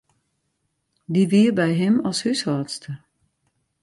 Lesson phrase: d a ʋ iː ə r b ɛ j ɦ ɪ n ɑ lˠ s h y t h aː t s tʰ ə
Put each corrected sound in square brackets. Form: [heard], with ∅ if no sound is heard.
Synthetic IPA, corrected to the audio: d [i] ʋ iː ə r b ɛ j ɦ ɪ [m] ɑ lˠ s h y [s] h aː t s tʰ ə

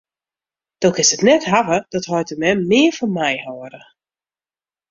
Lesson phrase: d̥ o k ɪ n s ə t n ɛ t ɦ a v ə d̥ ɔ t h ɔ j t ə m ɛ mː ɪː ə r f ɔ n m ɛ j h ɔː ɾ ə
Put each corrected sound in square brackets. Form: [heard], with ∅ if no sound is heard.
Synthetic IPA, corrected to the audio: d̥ o k ɪ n s ə t n ɛ t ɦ a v ə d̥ ɔ t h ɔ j t ə m ɛ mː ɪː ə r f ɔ n m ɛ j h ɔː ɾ ə

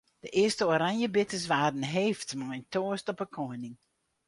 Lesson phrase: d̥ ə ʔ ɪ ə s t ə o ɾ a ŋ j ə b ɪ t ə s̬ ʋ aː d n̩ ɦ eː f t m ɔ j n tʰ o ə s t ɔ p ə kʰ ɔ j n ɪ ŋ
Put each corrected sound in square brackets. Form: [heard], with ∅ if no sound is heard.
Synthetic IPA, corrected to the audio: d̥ ə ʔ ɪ ə s t ə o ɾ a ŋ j ə b ɪ t ə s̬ ʋ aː d n̩ ɦ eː f t m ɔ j n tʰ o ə s t ɔ p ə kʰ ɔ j n ɪ ŋ

